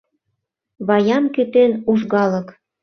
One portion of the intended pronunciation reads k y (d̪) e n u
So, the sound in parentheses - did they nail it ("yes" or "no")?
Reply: no